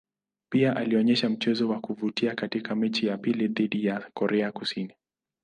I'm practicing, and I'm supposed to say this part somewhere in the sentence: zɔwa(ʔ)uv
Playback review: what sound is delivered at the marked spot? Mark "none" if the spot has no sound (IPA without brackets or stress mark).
k